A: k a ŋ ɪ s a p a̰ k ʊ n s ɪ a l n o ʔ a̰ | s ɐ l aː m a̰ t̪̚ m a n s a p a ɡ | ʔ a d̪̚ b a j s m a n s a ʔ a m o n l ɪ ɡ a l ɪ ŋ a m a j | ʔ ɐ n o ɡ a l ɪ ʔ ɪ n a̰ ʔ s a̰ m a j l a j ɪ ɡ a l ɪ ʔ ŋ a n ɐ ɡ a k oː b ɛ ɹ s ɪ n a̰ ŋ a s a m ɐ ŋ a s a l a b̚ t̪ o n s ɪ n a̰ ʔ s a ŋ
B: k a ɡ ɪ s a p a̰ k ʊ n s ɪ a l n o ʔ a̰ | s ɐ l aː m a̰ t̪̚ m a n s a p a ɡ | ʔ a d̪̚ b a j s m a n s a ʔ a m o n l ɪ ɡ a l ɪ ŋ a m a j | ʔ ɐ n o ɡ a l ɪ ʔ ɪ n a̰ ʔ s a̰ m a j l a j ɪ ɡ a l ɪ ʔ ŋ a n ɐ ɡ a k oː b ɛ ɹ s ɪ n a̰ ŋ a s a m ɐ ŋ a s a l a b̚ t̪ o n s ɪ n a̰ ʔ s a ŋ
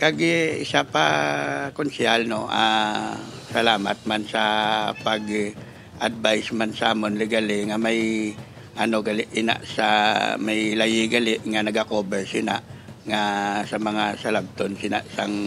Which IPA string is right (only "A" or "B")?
B